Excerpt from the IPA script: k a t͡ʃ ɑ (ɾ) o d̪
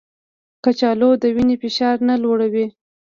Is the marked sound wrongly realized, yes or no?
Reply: yes